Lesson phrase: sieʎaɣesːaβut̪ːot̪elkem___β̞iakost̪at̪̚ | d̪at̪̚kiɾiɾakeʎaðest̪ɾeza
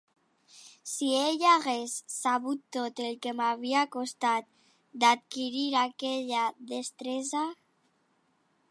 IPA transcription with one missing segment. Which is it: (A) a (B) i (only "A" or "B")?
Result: A